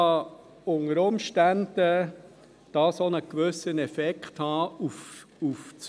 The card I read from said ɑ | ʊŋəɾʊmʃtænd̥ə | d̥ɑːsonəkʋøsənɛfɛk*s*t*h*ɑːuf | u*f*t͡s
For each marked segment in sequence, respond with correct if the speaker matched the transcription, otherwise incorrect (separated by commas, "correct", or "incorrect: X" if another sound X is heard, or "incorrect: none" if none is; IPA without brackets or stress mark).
incorrect: χ, correct, correct